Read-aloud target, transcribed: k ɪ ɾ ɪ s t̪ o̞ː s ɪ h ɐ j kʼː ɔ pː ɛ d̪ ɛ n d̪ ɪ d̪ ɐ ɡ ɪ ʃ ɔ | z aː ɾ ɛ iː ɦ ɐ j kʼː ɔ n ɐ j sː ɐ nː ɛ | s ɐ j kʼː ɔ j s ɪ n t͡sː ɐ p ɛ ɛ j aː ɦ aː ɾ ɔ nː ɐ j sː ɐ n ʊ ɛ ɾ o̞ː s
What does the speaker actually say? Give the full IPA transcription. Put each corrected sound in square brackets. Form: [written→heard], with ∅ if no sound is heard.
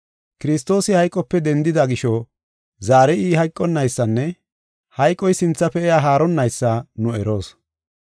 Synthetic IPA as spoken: k ɪ ɾ ɪ s t̪ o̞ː s ɪ h ɐ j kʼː ɔ pː ɛ d̪ ɛ n d̪ ɪ d̪ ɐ ɡ ɪ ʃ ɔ | z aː ɾ ɛ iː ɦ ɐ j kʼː ɔ [n→nː] ɐ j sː ɐ nː ɛ | [s→h] ɐ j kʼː ɔ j s ɪ n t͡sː ɐ p ɛ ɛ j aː ɦ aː ɾ ɔ nː ɐ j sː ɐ n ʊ ɛ ɾ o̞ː s

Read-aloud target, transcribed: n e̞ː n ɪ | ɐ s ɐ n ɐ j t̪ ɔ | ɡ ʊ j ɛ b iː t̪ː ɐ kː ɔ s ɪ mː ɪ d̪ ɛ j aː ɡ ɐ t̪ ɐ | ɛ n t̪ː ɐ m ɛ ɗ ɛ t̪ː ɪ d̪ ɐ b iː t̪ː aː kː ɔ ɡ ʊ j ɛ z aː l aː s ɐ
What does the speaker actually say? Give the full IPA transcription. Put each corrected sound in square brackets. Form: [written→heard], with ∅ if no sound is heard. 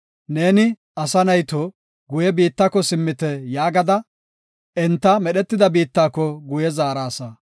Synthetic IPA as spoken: n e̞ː n ɪ | ɐ s ɐ n ɐ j t̪ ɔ | ɡ ʊ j ɛ b iː t̪ː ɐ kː ɔ s ɪ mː ɪ [d̪→t̪] ɛ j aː ɡ ɐ [t̪→d̪] ɐ | ɛ n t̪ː ɐ m ɛ ɗ ɛ t̪ː ɪ d̪ ɐ b iː t̪ː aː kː ɔ ɡ ʊ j ɛ z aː [l→ɾ] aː s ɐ

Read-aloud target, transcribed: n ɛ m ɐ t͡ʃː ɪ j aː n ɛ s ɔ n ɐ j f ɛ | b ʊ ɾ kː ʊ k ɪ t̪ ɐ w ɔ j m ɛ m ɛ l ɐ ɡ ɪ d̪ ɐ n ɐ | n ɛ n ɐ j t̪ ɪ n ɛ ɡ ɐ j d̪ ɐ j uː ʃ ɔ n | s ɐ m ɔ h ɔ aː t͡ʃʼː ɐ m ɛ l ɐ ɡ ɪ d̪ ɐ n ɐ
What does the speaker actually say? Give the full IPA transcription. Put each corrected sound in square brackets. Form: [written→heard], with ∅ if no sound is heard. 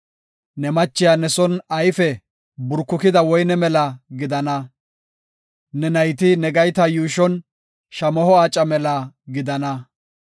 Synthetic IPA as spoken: n ɛ m ɐ t͡ʃː ɪ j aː n ɛ s ɔ n ɐ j f ɛ | b ʊ ɾ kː ʊ k ɪ [t̪→d̪] ɐ w ɔ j [m→n] ɛ m ɛ l ɐ ɡ ɪ d̪ ɐ n ɐ | n ɛ n ɐ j t̪ ɪ n ɛ ɡ ɐ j [d̪→t̪] ɐ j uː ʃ ɔ n | [s→ʃ] ɐ m ɔ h ɔ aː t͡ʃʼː ɐ m ɛ l ɐ ɡ ɪ d̪ ɐ n ɐ

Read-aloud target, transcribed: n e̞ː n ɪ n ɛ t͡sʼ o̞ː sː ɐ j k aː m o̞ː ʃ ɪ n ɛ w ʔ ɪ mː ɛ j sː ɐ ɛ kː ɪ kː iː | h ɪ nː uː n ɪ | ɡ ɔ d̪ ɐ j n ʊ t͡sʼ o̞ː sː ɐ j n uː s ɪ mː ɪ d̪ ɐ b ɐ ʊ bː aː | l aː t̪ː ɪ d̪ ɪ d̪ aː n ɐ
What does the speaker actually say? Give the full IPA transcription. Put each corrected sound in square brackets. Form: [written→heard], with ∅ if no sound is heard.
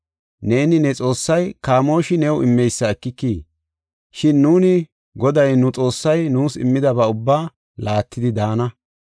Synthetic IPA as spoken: n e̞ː n ɪ n ɛ t͡sʼ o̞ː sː ɐ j k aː m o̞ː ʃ ɪ n ɛ w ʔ ɪ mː ɛ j sː ɐ ɛ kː ɪ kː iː | [h→ʃ] ɪ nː uː n ɪ | ɡ ɔ d̪ ɐ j n ʊ t͡sʼ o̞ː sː ɐ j n uː s ɪ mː ɪ d̪ ɐ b ɐ ʊ bː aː | l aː t̪ː ɪ d̪ ɪ d̪ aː n ɐ

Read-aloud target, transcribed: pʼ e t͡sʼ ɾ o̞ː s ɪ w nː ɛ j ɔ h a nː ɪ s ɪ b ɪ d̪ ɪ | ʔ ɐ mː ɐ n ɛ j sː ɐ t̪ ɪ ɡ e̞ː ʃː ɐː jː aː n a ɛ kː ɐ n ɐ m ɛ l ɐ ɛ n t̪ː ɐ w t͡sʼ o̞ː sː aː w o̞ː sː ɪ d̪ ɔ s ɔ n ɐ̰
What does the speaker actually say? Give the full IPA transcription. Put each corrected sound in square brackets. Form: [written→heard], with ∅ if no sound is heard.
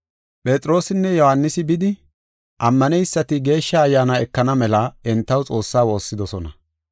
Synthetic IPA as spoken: pʼ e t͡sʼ ɾ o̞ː s ɪ [w→∅] nː ɛ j ɔ h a nː ɪ s ɪ b ɪ d̪ ɪ | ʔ ɐ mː ɐ n ɛ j sː ɐ t̪ ɪ ɡ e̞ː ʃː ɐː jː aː n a ɛ kː ɐ n ɐ m ɛ l ɐ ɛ n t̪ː ɐ w t͡sʼ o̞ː sː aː w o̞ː sː ɪ d̪ ɔ s ɔ n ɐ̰

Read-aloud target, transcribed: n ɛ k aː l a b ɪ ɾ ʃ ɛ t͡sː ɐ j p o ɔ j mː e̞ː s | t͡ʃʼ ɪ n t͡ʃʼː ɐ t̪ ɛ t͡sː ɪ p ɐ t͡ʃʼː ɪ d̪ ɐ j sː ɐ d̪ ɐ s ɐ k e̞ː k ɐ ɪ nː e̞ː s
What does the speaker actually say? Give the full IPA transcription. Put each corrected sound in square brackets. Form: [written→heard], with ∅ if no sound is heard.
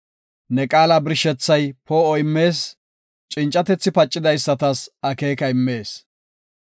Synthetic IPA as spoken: n ɛ [k→kʼ] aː l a b ɪ ɾ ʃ ɛ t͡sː ɐ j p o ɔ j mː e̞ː s | t͡ʃʼ ɪ n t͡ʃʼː ɐ t̪ ɛ t͡sː ɪ p ɐ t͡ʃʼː ɪ d̪ ɐ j sː ɐ [d̪→t̪] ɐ s ɐ k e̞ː k ɐ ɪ [nː→mː] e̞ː s

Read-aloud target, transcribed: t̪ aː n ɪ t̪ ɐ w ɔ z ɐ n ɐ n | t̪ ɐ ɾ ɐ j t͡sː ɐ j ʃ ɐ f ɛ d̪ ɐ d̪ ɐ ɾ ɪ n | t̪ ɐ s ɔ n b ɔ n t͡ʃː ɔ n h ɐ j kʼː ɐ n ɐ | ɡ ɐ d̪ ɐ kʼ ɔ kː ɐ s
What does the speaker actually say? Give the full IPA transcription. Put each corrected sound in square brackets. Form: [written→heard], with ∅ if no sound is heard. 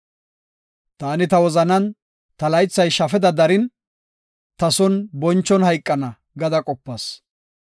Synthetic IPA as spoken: t̪ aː n ɪ t̪ ɐ w ɔ z ɐ n ɐ n | t̪ ɐ [ɾ→l] ɐ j t͡sː ɐ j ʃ ɐ f ɛ d̪ ɐ d̪ ɐ ɾ ɪ n | t̪ ɐ s ɔ n b ɔ n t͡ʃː ɔ n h ɐ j kʼː ɐ n ɐ | ɡ ɐ d̪ ɐ kʼ ɔ [kː→pː] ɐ s

